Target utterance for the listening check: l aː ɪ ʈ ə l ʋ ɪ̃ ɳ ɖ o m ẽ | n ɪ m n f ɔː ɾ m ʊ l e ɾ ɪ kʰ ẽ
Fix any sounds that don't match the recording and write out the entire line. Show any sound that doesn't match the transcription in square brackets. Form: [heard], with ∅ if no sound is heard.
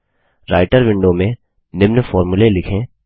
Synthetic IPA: [ɾ] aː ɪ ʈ ə [ɾ] ʋ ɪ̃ ɳ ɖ o m ẽ | n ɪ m n f ɔː ɾ m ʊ l e [l] ɪ kʰ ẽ